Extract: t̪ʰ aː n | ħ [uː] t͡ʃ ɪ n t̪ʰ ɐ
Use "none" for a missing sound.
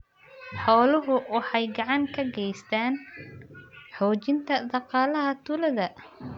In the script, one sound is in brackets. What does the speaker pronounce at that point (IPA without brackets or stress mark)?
ɔː